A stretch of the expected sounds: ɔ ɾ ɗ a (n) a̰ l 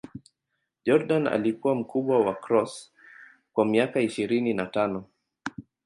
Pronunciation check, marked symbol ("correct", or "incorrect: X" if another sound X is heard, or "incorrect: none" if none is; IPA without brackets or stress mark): correct